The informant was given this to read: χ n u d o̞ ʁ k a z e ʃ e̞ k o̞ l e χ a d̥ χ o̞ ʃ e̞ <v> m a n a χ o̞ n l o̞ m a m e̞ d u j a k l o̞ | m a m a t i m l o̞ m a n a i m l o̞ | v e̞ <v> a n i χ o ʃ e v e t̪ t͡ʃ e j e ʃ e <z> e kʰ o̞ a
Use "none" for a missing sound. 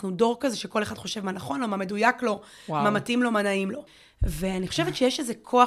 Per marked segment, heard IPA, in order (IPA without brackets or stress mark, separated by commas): v, none, z